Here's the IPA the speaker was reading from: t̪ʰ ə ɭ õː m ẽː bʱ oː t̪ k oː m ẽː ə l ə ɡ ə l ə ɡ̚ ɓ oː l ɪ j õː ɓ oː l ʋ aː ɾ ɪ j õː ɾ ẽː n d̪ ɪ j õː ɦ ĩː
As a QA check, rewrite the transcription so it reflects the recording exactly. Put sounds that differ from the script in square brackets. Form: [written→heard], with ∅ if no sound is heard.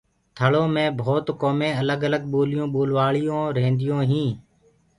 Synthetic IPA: t̪ʰ ə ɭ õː m ẽː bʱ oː t̪ k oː m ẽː ə l ə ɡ ə l ə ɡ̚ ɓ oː l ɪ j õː ɓ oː l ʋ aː [ɾ→ɭ] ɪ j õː ɾ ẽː n d̪ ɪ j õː ɦ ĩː